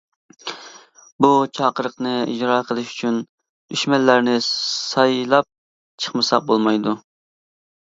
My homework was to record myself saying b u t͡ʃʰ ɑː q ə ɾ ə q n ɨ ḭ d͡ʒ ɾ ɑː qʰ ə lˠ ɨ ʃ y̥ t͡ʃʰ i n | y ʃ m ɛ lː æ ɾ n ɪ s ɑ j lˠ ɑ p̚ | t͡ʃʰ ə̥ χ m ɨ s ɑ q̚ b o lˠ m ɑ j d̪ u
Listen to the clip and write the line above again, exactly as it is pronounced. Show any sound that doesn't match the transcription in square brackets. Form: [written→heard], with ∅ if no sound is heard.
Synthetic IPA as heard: b u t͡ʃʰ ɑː q ə ɾ ə q n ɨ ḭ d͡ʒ ɾ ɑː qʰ ə lˠ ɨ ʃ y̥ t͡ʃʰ [i→y] n | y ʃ m ɛ lː æ ɾ n ɪ s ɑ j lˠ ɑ p̚ | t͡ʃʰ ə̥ χ m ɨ s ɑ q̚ b o lˠ m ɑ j d̪ u